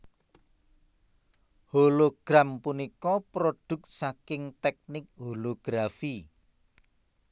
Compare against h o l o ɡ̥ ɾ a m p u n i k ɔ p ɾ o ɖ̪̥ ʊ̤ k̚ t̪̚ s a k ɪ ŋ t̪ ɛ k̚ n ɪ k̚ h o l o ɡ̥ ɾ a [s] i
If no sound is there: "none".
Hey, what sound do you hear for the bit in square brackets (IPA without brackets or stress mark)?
f